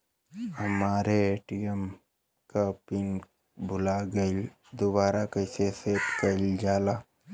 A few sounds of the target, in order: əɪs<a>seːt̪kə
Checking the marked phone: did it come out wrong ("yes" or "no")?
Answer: yes